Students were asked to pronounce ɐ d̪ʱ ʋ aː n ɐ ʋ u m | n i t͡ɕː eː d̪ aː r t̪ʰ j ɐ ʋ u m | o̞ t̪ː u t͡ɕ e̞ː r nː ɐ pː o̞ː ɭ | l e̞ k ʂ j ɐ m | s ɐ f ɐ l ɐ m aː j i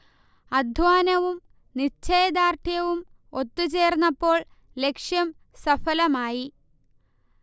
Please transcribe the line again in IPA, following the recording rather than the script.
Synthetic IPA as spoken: ɐ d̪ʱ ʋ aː n ɐ ʋ u m | n i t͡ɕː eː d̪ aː r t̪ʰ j ɐ ʋ u m | o̞ t̪ː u t͡ɕ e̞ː r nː ɐ pː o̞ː ɭ | l e̞ k ʂ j ɐ m | s ɐ f ɐ l ɐ m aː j i

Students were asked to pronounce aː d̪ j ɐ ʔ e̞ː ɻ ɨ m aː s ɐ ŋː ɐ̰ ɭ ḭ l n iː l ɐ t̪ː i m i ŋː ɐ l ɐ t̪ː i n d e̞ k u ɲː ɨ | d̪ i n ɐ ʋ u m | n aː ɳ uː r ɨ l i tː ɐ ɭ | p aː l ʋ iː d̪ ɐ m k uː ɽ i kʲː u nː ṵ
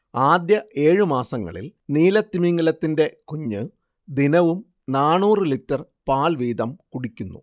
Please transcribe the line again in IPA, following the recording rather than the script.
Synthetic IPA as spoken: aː d̪ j ɐ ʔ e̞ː ɻ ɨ m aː s ɐ ŋː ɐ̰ ɭ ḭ l n iː l ɐ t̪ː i m i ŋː ɐ l ɐ t̪ː i n d e̞ k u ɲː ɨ | d̪ i n ɐ ʋ u m | n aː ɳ uː r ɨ l i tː ɐ r | p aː l ʋ iː d̪ ɐ m k u ɽ i kʲː u nː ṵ

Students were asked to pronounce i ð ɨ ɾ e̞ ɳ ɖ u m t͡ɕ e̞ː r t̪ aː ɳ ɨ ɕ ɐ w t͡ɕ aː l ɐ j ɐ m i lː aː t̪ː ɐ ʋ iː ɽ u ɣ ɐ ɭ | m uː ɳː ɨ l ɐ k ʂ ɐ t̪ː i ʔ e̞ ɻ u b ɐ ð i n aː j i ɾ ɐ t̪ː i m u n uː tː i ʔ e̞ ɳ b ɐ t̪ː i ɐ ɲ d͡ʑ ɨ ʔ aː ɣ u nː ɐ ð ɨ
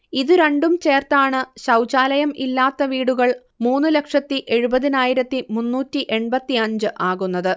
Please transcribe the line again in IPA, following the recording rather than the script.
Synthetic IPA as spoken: i ð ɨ ɾ e̞ ɳ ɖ u m t͡ɕ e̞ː r t̪ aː ɳ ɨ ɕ ɐ w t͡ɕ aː l ɐ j ɐ m i lː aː t̪ː ɐ ʋ iː ɽ u ɣ ɐ ɭ | m uː nː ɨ l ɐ k ʂ ɐ t̪ː i ʔ e̞ ɻ u b ɐ ð i n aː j i ɾ ɐ t̪ː i m u nː uː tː i ʔ e̞ ɳ b ɐ t̪ː i ɐ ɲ d͡ʑ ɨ ʔ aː ɣ u nː ɐ ð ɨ

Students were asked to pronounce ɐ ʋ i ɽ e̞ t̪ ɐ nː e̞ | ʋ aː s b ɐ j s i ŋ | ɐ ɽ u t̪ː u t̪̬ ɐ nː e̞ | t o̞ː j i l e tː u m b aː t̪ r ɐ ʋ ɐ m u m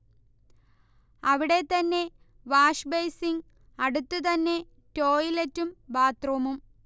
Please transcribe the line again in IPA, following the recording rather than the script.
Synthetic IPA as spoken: ɐ ʋ i ɽ e̞ t̪ ɐ nː e̞ | ʋ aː ʂ b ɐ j s i ŋ | ɐ ɽ u t̪ː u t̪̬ ɐ nː e̞ | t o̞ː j i l e tː u m b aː t̪ r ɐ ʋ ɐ m u m

